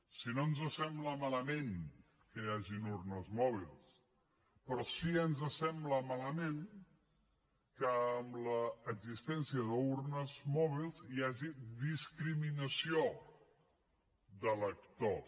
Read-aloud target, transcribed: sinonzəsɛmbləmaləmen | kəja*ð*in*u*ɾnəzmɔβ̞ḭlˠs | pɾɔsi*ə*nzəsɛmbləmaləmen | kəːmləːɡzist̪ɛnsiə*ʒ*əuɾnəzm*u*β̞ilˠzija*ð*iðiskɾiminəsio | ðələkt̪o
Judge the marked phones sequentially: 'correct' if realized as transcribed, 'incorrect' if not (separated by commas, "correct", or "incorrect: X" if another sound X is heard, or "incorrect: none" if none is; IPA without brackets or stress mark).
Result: incorrect: ʒ, correct, correct, incorrect: ð, incorrect: ɔ, incorrect: ʒ